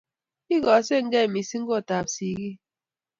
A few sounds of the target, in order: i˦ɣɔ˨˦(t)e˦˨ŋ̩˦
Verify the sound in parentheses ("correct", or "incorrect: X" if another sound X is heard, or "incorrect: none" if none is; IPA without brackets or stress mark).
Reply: incorrect: s